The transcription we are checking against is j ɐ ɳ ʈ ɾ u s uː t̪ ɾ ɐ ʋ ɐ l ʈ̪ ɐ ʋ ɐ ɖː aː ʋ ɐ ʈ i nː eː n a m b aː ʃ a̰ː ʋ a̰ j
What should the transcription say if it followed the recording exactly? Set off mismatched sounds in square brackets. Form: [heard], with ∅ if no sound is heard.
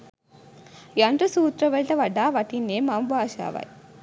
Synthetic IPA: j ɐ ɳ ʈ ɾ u s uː t̪ ɾ ɐ ʋ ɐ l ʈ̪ ɐ ʋ ɐ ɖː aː ʋ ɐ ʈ i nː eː [m] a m b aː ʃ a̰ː ʋ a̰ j